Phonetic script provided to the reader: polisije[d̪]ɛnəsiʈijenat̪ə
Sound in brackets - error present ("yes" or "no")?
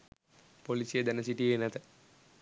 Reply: no